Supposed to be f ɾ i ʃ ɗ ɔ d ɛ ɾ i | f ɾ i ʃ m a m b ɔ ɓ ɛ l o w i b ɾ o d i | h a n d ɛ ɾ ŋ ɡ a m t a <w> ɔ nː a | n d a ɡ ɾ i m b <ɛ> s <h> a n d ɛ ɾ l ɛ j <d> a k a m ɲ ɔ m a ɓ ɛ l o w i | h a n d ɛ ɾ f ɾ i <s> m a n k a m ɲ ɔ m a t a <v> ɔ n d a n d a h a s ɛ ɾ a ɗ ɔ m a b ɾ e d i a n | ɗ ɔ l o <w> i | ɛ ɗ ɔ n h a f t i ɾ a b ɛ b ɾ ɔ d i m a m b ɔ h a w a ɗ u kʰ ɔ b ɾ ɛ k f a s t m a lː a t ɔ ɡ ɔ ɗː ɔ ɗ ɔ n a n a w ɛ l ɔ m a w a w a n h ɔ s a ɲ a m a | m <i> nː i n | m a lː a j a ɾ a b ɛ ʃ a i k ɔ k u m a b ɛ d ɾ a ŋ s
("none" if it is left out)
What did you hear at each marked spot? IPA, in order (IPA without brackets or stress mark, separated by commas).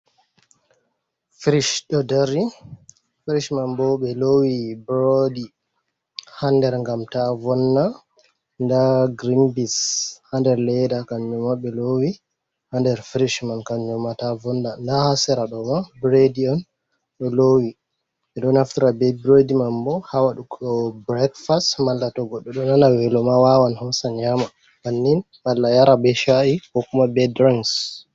v, i, h, d, ʃ, v, w, a